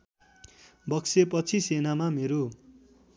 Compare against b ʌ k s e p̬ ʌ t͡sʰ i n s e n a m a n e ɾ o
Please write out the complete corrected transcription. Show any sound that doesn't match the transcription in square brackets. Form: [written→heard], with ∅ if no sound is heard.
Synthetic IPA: b ʌ k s e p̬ ʌ t͡sʰ i [n→∅] s e n a m a [n→m] e ɾ o